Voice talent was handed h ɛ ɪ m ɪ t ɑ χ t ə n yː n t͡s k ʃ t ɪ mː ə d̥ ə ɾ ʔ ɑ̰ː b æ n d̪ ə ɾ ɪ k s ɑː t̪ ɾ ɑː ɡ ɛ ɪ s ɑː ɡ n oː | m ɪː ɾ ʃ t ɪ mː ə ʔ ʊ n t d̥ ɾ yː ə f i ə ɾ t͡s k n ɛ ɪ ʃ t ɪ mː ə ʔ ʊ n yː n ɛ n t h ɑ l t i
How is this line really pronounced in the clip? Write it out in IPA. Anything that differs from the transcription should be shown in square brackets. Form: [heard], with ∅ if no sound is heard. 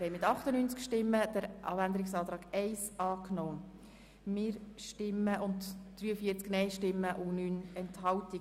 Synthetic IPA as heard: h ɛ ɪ m ɪ t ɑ χ t ə n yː n t͡s k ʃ t ɪ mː ə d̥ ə ɾ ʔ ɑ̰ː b æ n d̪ ə ɾ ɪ k s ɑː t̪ ɾ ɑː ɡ ɛ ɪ s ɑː [k] n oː | m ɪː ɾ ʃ t ɪ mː ə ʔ ʊ n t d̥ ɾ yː ə f i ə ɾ t͡s k n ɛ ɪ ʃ t ɪ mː ə ʔ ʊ n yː n ɛ n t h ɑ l t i

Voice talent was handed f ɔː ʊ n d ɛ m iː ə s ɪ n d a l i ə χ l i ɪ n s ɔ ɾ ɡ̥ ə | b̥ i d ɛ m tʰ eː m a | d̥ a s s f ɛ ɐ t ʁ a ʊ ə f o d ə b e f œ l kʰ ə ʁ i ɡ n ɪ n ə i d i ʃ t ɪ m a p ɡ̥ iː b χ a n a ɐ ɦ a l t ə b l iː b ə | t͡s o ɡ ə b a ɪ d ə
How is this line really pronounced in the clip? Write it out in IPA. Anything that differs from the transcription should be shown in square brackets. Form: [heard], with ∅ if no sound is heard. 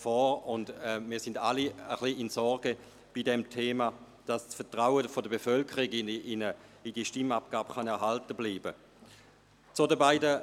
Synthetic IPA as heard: f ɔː ʊ n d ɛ m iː [ɐ] s ɪ n d a l i ə χ l i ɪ n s ɔ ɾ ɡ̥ ə | b̥ i d ɛ m tʰ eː m a | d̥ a s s f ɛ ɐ t ʁ a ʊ ə f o d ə b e f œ l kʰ ə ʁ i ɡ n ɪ n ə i d i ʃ t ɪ m a p ɡ̥ [aː] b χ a n [ɛ] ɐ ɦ a l t ə b l iː b ə | t͡s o [d] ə b a ɪ d ə

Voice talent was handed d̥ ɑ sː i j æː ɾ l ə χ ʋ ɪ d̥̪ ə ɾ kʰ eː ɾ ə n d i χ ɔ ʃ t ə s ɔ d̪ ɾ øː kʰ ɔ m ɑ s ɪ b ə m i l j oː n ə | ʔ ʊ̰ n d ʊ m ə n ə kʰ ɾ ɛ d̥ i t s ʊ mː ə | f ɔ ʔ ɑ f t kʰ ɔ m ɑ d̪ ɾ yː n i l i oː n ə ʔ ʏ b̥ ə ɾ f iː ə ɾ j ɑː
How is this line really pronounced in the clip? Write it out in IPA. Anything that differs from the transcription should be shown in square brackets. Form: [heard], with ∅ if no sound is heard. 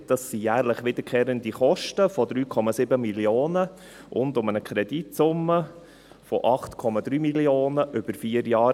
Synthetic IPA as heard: d̥ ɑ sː i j æː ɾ l ə χ ʋ ɪ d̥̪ ə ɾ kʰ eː ɾ ə n d i χ ɔ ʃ t ə [f] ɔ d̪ ɾ [yː] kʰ ɔ m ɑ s ɪ b ə m i l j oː n ə | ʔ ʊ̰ n d ʊ m ə n ə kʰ ɾ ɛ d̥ i t s ʊ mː ə | f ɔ ʔ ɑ [χ] t kʰ ɔ m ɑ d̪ ɾ yː [m] i l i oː n ə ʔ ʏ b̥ ə ɾ f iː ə ɾ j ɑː

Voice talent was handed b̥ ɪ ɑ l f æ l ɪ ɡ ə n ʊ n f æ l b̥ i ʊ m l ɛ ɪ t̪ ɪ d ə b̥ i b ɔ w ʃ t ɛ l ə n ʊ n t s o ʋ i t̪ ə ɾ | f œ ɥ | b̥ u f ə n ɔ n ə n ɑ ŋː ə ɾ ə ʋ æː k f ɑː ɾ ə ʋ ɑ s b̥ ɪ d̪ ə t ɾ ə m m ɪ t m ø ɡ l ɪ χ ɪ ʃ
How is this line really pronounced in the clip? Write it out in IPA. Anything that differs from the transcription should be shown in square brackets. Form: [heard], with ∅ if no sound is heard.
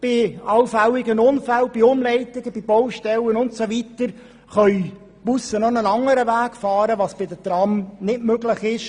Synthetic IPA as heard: b̥ ɪ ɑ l f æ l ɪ ɡ ə n ʊ n f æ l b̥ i ʊ m l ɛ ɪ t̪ ɪ [ɡ] ə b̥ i b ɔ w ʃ t ɛ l ə n ʊ n t s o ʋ i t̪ ə ɾ | [χ] œ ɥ | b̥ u [s] ə n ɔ n ə n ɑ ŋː ə ɾ ə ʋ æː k f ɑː ɾ ə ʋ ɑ s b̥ ɪ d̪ ə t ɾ [ɑ] m [n] ɪ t m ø ɡ l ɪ χ ɪ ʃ

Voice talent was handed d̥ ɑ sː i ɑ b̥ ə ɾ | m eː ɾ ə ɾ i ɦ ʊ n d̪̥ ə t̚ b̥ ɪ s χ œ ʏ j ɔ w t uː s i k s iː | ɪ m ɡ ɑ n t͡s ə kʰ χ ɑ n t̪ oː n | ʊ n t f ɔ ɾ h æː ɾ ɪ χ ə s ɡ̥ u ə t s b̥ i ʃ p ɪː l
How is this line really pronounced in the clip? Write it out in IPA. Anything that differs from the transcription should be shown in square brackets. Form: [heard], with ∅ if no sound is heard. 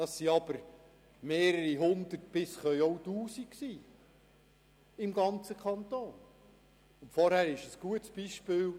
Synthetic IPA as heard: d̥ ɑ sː i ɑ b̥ ə ɾ | m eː ɾ ə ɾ i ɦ ʊ n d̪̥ ə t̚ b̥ ɪ s χ œ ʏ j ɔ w t uː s i k s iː | ɪ m ɡ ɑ n t͡s ə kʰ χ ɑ n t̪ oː n | ʊ n t f ɔ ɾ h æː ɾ ɪ [ʃ] ə s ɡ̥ u ə t s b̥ i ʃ p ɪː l

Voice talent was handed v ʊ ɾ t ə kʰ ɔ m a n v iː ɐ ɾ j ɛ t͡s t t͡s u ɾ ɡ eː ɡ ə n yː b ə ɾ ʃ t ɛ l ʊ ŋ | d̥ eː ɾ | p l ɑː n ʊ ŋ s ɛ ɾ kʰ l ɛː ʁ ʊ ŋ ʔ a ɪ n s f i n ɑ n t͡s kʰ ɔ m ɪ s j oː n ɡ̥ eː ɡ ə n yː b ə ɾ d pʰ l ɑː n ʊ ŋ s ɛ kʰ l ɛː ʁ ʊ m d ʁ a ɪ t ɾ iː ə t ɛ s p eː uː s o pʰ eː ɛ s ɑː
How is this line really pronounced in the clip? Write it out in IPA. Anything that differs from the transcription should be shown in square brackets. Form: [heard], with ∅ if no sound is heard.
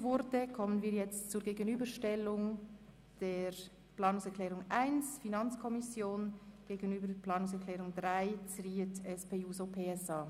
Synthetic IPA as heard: v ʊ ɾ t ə kʰ ɔ m [ə] n v iː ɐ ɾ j ɛ t͡s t t͡s u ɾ ɡ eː ɡ ə n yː b ə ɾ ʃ t ɛ l ʊ ŋ | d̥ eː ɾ | p l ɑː n ʊ ŋ s ɛ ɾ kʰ l ɛː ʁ ʊ ŋ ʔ a ɪ n s f i n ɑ n t͡s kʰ ɔ m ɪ s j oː n ɡ̥ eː ɡ ə n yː b ə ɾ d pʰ l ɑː n ʊ ŋ s ɛ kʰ l ɛː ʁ ʊ [ŋ] d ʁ a ɪ [t͡s] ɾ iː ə t ɛ s p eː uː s o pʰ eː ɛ s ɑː

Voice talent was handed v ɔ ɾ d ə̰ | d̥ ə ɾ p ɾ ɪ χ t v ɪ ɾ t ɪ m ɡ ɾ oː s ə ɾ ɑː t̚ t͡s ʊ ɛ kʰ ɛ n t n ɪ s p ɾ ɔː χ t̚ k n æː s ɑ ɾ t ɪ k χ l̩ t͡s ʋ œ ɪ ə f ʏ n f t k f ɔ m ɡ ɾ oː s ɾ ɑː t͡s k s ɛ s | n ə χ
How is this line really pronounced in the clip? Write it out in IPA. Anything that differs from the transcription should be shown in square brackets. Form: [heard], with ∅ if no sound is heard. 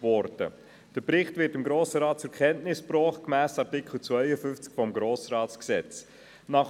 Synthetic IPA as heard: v ɔ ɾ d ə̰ | d̥ ə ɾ p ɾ ɪ χ t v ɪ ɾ t ɪ m ɡ ɾ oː s ə ɾ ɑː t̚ t͡s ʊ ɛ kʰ ɛ n t n ɪ s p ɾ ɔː χ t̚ k [m] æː s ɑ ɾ t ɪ k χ l̩ t͡s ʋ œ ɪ ə f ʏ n f [t͡s] k f ɔ m ɡ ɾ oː s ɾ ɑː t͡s k s ɛ [t͡s] | n [ɑ] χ

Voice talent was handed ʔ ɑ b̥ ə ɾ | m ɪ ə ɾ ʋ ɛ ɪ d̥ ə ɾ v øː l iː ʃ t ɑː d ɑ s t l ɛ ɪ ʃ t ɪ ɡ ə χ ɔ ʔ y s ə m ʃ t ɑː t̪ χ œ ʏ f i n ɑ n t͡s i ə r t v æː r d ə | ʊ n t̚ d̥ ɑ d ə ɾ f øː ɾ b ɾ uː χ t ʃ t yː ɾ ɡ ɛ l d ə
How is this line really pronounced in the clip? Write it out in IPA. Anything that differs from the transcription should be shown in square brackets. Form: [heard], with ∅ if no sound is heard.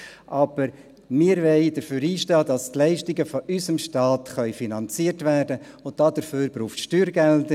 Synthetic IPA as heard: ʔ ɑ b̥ ə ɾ | m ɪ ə ɾ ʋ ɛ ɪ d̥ ə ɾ [f] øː [ɾ] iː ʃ t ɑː d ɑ s t l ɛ ɪ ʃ t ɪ ɡ ə [f] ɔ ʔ y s ə m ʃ t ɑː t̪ χ œ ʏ f i n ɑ n t͡s i ə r t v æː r d ə | ʊ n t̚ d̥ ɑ d ə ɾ f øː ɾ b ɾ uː χ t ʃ t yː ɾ ɡ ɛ l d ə

